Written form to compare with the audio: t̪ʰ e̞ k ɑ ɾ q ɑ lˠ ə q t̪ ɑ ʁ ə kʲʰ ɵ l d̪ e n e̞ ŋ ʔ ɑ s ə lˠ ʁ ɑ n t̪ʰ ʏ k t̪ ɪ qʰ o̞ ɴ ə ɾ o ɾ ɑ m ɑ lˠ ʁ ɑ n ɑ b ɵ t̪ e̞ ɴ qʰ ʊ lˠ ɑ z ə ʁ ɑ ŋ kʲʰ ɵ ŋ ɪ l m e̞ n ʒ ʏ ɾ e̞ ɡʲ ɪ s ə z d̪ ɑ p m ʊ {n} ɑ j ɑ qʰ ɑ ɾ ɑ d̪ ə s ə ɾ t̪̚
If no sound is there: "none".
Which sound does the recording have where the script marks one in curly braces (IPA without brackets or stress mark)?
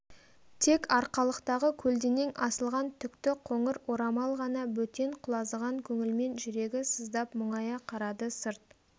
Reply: ɴ